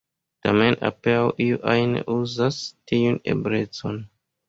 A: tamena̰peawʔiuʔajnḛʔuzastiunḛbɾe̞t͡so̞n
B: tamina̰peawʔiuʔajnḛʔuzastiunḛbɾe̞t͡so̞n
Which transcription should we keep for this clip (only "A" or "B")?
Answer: A